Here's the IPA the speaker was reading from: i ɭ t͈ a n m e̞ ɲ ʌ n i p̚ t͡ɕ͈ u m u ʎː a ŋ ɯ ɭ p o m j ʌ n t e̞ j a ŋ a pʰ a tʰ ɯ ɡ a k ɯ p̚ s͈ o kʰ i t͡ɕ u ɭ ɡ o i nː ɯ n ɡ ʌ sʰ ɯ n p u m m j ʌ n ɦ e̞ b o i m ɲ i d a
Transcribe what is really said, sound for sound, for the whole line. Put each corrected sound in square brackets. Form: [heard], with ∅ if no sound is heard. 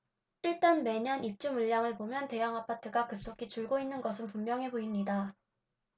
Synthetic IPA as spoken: i ɭ t͈ a n m e̞ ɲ ʌ n i p̚ t͡ɕ͈ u m u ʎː a ŋ ɯ ɭ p o m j ʌ n t e̞ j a ŋ a pʰ a tʰ ɯ ɡ a k ɯ p̚ s͈ o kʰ i t͡ɕ u ɭ ɡ o i nː ɯ n ɡ ʌ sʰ ɯ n p u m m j ʌ [ŋ] ɦ e̞ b o i m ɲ i d a